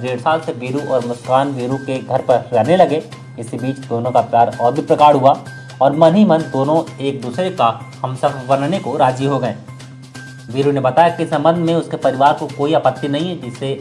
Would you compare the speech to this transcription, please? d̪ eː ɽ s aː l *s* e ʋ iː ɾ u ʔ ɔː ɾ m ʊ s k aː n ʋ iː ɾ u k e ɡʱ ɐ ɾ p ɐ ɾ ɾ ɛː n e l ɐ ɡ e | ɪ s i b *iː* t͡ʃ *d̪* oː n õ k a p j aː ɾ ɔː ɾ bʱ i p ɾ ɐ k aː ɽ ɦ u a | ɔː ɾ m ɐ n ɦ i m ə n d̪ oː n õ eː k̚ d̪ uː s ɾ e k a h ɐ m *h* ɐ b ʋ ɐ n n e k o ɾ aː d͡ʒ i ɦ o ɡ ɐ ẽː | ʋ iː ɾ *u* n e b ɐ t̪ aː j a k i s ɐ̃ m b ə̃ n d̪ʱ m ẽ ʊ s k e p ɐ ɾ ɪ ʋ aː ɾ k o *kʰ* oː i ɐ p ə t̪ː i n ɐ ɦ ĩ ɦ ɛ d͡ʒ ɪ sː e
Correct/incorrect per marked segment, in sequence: correct, correct, correct, incorrect: s, correct, incorrect: k

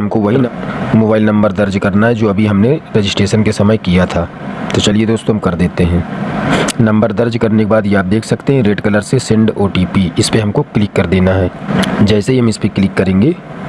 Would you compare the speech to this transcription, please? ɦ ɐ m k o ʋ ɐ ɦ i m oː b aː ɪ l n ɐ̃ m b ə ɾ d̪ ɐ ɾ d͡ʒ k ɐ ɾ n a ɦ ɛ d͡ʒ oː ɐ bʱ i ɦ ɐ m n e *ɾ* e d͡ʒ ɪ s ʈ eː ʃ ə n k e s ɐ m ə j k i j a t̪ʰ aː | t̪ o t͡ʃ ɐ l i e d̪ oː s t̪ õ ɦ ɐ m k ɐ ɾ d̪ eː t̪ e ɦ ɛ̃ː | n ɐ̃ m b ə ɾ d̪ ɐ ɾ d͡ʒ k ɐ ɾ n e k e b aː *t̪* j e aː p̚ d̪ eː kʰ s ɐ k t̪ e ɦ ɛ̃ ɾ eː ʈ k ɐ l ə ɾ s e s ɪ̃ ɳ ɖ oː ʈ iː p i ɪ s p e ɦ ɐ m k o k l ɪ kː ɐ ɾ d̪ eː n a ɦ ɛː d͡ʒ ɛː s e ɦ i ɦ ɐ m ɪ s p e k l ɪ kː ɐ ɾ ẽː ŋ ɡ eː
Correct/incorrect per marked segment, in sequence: correct, incorrect: d̪

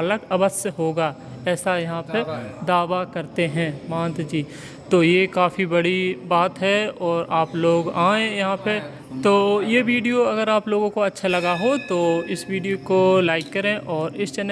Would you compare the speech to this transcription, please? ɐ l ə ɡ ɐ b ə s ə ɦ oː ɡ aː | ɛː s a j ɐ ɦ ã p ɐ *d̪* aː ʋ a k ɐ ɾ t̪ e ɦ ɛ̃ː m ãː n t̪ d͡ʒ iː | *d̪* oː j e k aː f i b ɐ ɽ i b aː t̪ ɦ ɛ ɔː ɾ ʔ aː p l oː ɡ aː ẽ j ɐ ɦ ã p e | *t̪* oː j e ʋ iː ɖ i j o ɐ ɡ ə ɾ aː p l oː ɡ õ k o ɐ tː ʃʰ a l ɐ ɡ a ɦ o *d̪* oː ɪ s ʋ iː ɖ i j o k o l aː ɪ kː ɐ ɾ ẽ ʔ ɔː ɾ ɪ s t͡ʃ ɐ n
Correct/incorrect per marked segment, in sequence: correct, incorrect: t̪, correct, incorrect: t̪

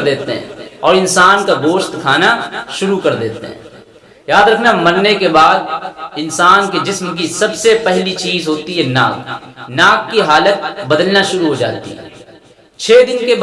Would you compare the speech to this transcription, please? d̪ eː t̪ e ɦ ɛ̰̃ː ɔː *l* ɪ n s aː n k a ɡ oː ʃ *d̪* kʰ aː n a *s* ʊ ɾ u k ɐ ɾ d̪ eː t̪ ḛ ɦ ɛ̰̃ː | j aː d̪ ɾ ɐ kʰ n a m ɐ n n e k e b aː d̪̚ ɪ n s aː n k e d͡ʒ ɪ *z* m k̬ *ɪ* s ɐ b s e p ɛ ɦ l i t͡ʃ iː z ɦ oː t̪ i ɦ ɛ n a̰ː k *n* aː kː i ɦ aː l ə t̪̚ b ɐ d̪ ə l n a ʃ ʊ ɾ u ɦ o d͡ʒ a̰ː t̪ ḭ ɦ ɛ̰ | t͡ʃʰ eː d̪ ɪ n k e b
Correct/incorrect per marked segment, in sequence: incorrect: ɾ, incorrect: t̪, incorrect: ʃ, incorrect: s, incorrect: i, correct

